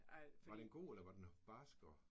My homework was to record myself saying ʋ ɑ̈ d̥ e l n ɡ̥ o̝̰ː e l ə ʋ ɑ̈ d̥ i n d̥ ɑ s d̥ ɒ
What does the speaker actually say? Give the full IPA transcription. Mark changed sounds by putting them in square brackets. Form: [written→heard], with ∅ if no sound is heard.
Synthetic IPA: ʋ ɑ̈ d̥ e [l→∅] n ɡ̥ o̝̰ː e l [ə→ɐ] ʋ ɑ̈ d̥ [i→e] n [d̥→b̥] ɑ s [d̥→ɡ̥] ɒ